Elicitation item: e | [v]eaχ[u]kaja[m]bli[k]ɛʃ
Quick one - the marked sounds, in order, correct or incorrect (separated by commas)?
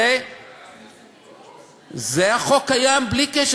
incorrect, incorrect, correct, correct